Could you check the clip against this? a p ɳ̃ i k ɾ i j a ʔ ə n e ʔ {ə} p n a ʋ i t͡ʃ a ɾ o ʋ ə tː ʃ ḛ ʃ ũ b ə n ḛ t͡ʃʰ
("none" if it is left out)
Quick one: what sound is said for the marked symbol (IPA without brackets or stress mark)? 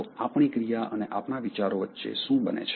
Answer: a